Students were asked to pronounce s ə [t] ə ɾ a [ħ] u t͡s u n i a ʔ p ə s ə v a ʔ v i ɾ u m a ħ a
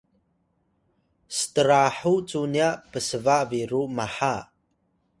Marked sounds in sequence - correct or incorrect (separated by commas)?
correct, correct